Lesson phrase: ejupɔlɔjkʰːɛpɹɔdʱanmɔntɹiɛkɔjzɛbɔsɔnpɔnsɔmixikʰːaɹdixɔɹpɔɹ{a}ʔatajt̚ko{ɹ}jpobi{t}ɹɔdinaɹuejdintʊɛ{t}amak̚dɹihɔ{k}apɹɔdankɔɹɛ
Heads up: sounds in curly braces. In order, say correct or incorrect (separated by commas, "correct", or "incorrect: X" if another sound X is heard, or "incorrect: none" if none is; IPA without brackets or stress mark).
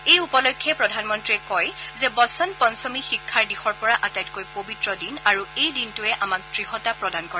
correct, incorrect: none, correct, incorrect: ʔ, incorrect: t